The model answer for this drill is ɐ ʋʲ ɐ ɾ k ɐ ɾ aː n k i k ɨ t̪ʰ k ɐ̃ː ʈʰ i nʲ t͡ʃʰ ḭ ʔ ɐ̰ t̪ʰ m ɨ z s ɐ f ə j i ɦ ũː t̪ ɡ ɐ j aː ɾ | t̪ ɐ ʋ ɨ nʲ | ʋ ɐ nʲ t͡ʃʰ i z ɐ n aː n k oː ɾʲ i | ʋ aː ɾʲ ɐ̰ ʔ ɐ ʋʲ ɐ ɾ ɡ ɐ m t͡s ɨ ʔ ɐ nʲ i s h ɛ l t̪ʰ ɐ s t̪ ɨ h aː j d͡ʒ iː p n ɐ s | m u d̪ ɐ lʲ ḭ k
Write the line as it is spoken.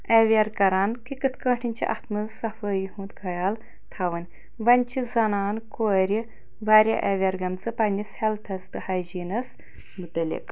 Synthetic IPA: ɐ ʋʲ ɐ ɾ k ɐ ɾ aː n k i k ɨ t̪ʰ k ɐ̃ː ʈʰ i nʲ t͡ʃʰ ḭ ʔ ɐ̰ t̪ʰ m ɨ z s ɐ f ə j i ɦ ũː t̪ ɡ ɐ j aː l | t̪ʰ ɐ ʋ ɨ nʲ | ʋ ɐ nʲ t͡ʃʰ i z ɐ n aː n k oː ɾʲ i | ʋ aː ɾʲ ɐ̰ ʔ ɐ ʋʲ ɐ ɾ ɡ ɐ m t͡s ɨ p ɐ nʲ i s h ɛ l t̪ʰ ɐ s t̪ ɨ h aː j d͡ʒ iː n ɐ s | m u t̪ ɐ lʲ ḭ k